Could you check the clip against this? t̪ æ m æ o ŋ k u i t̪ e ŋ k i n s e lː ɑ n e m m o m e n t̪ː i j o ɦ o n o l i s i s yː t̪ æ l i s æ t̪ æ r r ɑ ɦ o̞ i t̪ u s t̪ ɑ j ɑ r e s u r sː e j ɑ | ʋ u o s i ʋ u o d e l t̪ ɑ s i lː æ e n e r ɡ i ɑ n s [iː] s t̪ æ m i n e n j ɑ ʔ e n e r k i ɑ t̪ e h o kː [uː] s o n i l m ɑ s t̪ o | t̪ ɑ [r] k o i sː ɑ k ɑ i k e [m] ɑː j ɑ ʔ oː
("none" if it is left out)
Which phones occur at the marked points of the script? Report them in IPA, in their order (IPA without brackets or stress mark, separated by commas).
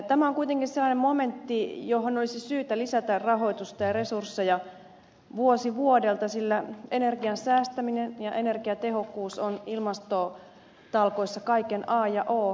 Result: æː, uː, l, n